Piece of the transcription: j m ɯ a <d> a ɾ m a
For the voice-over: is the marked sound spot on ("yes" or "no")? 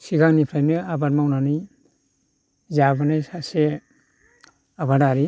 no